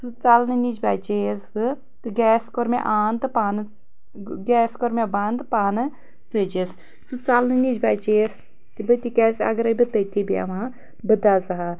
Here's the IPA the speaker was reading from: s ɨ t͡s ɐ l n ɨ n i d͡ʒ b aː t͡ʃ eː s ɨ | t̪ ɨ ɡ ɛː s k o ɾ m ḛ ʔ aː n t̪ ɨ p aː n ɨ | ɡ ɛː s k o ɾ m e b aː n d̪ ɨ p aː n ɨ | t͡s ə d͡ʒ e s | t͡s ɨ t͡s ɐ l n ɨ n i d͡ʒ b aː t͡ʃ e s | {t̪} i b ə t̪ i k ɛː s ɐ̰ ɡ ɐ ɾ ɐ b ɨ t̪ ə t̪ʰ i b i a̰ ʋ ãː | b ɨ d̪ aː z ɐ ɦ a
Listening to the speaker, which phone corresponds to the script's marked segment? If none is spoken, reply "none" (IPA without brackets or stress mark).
t̪